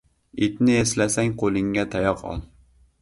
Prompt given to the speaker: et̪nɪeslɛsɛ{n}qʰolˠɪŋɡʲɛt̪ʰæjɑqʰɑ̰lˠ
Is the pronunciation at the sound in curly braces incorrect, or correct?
incorrect